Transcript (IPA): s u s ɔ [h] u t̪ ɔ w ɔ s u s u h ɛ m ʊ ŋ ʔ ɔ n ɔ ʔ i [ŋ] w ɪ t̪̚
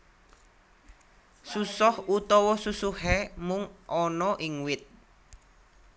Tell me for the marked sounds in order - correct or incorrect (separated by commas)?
correct, correct